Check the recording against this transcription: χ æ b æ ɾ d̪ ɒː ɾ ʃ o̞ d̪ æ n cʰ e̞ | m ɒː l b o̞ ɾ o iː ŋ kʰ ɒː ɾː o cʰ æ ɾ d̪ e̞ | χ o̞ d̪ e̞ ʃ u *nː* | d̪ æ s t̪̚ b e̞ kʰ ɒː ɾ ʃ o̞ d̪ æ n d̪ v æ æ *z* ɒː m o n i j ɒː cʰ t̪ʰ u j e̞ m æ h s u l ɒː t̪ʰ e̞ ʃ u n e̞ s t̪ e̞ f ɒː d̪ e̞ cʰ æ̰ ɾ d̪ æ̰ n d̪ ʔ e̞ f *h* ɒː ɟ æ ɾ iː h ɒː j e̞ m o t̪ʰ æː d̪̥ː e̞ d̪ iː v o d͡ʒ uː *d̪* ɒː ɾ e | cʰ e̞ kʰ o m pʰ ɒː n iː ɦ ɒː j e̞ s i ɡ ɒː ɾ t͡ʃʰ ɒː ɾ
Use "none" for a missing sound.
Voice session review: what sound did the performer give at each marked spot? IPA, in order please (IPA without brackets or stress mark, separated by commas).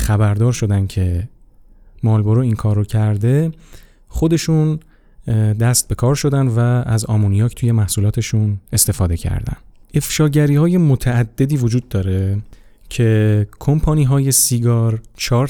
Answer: n, z, ʃ, d̪ː